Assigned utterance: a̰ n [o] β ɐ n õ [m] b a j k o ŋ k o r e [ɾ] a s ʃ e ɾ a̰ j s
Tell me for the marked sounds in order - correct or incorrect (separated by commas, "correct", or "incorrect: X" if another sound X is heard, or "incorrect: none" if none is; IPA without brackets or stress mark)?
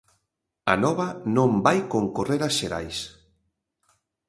incorrect: ɔ, correct, correct